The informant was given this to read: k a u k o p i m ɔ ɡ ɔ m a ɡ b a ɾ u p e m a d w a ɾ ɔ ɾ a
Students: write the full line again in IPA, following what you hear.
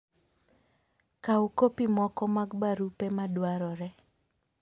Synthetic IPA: k a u k o p i m ɔ k ɔ m a ɡ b a ɾ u p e m a d w a ɾ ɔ ɾ ɛ